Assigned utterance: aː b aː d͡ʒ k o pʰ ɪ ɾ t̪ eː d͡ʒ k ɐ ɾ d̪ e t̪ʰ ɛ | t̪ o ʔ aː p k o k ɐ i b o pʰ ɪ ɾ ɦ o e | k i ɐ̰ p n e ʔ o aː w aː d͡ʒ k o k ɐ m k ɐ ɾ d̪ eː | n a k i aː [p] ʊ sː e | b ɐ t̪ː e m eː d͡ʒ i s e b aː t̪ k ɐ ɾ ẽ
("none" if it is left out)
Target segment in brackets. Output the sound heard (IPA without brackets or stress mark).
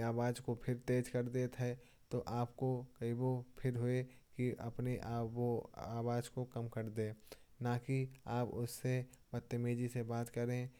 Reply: p